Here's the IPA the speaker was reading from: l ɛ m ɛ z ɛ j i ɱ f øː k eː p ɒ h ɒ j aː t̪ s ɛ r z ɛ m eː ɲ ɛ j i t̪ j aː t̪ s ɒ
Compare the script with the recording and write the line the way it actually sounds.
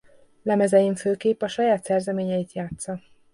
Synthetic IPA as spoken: l ɛ m ɛ z ɛ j i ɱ f øː k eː p ɒ ʃ ɒ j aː t̪ s ɛ r z ɛ m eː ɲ ɛ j i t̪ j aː t̪ s ɒ